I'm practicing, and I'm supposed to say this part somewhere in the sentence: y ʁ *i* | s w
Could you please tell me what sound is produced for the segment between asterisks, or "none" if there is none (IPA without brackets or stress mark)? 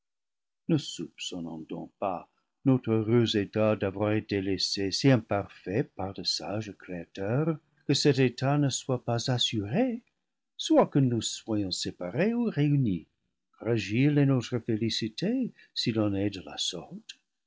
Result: e